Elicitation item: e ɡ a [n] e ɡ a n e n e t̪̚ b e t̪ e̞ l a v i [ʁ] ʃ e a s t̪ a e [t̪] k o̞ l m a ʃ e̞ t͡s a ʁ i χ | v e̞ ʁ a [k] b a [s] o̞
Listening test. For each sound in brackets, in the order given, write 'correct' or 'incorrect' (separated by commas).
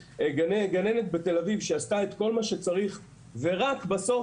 correct, incorrect, correct, correct, correct